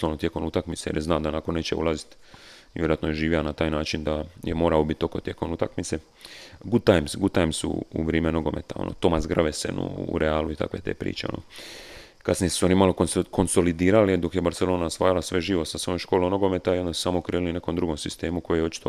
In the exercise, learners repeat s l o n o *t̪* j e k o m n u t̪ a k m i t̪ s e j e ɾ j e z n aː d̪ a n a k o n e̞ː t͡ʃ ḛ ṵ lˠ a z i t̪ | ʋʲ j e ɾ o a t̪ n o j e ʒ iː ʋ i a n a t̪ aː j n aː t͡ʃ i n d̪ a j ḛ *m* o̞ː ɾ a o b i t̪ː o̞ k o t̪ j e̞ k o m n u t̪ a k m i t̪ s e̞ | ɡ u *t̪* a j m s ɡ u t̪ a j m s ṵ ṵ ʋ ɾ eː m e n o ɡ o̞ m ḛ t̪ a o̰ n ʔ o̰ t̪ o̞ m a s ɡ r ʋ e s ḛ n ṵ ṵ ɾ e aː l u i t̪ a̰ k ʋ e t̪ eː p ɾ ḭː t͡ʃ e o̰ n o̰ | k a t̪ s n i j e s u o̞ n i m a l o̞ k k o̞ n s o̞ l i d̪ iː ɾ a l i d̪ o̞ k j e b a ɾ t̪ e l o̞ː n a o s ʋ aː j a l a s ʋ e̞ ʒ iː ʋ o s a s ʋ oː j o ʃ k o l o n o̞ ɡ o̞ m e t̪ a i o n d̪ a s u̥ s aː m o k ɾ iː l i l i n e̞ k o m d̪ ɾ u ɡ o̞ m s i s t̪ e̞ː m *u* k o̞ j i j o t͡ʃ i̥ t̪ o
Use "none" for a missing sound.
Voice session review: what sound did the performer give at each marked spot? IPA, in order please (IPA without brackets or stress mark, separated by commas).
t̪, m, t̪, u